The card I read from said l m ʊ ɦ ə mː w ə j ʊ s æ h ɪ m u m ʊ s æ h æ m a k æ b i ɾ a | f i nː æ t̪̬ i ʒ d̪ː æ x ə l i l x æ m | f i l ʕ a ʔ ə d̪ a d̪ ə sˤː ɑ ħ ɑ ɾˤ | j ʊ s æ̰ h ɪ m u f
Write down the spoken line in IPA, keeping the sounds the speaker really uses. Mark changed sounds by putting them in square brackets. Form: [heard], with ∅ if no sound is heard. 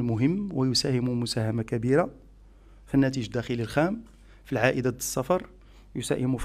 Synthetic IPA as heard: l m ʊ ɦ ə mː w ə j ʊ s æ h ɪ m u m ʊ s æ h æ m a k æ b i ɾ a | f i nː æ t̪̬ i ʒ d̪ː æ x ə l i l x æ m | f i l ʕ a ʔ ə d̪ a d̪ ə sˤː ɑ [f] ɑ ɾˤ | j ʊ s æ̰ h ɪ m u f

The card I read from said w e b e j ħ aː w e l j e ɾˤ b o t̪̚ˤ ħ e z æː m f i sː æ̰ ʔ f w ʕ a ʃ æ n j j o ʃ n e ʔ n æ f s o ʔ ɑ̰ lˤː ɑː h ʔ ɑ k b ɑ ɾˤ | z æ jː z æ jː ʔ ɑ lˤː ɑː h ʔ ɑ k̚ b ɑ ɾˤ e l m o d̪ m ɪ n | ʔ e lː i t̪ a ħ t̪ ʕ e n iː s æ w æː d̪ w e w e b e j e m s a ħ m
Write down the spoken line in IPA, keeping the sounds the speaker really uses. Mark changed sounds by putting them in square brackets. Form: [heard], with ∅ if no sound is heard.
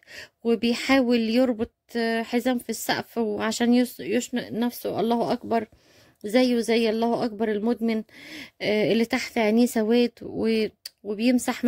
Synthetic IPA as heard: w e b e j ħ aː w e l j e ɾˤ b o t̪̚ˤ ħ e z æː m f i sː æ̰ ʔ f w ʕ a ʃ [æː] n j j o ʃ n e ʔ n æ f s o ʔ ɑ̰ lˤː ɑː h ʔ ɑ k b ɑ ɾˤ | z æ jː z æ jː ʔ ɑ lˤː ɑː h ʔ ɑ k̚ b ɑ ɾˤ e l m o d̪ m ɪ n | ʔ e lː i t̪ a ħ t̪ ʕ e n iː s æ w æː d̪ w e w e b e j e m s a ħ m

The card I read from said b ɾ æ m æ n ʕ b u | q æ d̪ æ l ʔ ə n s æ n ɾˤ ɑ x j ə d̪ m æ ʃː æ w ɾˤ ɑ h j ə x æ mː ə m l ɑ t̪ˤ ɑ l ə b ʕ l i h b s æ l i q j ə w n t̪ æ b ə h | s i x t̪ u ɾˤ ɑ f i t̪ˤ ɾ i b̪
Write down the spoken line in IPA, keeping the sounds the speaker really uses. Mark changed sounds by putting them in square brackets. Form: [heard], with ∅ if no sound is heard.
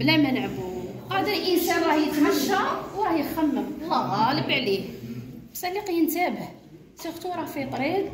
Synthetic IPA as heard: b [l] æ m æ n ʕ b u | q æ d̪ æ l ʔ ə n s æ n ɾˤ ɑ [h] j ə [t̪] m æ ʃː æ w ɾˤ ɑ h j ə x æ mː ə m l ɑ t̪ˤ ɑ l ə b ʕ l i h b s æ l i q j ə [∅] n t̪ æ b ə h | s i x t̪ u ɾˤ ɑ f i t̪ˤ ɾ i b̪

